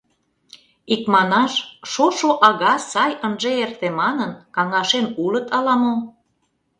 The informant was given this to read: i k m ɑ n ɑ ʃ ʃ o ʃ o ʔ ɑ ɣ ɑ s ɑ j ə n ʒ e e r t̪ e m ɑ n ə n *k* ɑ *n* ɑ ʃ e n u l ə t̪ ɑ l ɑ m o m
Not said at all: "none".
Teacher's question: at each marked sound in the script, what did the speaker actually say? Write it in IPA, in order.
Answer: k, ŋ

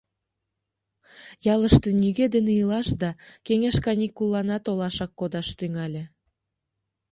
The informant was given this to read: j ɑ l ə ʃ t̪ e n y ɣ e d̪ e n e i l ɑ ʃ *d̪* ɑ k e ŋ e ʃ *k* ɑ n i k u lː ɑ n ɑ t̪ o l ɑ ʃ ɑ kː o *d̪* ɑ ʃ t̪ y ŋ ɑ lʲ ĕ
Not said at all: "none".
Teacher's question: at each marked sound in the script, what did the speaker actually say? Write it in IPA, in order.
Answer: d̪, k, d̪

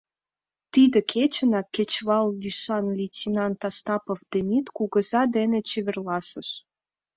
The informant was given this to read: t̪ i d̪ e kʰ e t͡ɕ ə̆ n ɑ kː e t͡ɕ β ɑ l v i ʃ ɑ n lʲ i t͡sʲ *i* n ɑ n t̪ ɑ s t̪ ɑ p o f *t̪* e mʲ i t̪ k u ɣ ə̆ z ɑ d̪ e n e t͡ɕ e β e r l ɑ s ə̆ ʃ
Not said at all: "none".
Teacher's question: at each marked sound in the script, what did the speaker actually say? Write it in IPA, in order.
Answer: i, d̪

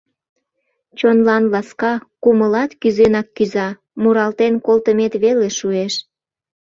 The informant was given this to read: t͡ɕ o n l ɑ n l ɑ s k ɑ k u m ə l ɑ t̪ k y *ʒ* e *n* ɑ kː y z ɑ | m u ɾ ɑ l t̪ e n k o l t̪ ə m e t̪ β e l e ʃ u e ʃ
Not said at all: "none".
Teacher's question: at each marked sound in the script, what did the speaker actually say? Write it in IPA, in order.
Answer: z, n

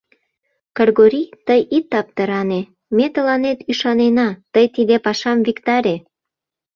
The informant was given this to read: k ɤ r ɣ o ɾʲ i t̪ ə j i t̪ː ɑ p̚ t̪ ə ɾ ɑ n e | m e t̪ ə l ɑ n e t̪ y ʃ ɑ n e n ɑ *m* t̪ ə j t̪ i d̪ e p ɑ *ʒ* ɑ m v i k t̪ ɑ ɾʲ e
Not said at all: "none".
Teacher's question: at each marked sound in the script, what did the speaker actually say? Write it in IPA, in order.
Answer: none, ʃ

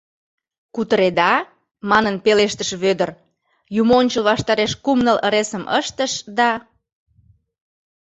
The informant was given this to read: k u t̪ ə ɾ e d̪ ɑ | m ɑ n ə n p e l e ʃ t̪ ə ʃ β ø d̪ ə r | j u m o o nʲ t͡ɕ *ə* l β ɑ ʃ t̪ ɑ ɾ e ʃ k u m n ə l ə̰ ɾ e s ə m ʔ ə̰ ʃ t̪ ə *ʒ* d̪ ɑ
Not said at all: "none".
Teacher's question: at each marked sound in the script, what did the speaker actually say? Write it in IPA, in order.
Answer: ə, ʃ

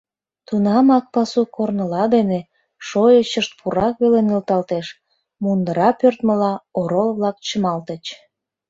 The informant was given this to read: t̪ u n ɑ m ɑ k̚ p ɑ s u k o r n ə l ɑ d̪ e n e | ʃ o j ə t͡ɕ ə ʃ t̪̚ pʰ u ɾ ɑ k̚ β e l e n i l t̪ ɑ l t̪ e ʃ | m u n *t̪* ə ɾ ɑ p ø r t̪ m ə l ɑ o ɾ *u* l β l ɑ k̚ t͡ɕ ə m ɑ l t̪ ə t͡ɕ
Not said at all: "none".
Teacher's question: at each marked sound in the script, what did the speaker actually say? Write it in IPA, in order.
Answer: d̪, o

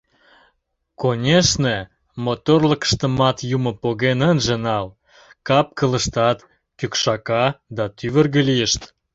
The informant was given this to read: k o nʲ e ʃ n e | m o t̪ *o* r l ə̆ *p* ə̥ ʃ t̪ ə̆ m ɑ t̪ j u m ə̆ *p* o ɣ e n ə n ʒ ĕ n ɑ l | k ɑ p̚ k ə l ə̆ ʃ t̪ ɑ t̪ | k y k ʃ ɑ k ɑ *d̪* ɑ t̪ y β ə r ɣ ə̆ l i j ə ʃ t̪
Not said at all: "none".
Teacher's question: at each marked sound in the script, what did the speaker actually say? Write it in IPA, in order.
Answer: o, k, p, d̪

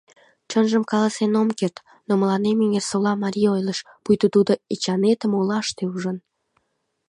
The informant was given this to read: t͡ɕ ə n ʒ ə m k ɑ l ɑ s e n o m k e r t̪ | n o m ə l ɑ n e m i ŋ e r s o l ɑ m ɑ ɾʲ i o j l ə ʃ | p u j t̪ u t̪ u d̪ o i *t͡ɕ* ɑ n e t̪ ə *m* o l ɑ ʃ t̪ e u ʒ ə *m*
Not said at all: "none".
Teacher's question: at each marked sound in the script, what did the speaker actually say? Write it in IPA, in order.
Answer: t͡ɕ, m, n

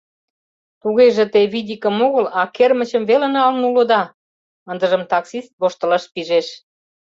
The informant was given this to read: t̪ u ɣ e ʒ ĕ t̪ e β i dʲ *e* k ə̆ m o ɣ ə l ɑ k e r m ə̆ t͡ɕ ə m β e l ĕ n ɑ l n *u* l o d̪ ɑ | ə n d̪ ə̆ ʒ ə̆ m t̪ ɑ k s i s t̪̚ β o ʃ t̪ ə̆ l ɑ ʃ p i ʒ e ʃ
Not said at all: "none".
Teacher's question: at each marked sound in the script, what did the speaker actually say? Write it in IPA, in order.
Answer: i, u

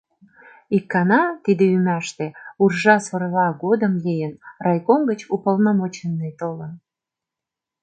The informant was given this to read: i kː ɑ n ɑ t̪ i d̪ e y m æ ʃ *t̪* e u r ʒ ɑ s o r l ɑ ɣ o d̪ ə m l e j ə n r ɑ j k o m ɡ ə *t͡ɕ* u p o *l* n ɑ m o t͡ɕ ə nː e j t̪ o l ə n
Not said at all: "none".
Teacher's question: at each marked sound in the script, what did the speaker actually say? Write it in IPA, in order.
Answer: t̪, t͡ɕ, l

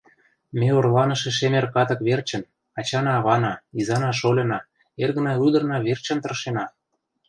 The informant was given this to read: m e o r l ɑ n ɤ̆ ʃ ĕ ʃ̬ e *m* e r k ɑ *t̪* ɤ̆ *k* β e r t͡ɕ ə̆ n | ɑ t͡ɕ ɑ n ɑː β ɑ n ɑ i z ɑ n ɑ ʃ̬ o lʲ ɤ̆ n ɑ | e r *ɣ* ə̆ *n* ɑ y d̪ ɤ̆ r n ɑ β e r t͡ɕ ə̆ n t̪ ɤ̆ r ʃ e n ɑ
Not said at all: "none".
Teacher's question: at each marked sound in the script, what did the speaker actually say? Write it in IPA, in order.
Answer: m, t̪, k, ɣ, n

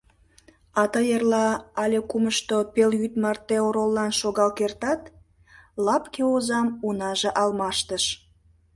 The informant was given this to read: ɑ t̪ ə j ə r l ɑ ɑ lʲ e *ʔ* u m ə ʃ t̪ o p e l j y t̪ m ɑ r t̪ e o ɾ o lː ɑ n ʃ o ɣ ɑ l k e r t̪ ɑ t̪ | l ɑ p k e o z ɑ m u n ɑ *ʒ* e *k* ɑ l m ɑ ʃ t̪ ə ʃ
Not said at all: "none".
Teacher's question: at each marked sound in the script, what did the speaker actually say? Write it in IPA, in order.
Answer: k, ʒ, ʔ

